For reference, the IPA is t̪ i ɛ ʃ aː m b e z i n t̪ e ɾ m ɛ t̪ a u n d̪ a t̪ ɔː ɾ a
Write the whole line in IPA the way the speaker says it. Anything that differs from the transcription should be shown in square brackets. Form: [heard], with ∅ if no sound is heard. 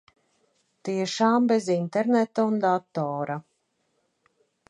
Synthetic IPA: t̪ i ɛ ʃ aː m b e z i n t̪ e ɾ [n] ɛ t̪ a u n d̪ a t̪ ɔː ɾ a